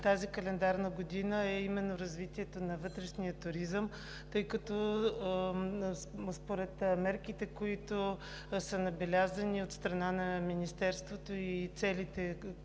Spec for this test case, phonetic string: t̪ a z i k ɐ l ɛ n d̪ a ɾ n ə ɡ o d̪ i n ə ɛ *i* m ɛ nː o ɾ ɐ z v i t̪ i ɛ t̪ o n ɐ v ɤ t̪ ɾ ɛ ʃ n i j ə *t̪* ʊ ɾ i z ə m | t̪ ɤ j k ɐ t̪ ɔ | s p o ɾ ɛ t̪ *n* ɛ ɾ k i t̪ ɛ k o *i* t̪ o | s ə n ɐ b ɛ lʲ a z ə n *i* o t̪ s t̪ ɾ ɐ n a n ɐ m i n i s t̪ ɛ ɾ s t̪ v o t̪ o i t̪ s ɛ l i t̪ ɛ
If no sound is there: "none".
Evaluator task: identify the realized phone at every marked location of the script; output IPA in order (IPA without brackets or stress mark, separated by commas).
i, t̪, m, i, i